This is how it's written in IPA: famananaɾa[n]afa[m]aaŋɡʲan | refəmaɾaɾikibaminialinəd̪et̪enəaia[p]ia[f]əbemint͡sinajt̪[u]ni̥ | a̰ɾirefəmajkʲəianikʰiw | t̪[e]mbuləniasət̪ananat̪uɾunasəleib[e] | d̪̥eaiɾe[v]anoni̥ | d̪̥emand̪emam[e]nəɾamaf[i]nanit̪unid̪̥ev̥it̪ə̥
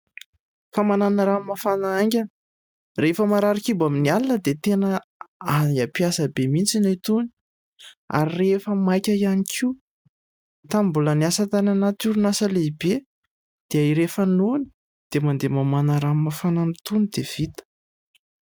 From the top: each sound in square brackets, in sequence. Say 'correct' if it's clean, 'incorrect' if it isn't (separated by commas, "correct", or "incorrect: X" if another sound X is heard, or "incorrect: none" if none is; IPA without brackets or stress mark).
incorrect: m, incorrect: n, correct, incorrect: s, correct, incorrect: a, correct, incorrect: f, incorrect: a, incorrect: a